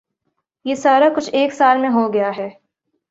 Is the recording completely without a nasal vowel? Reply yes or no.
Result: no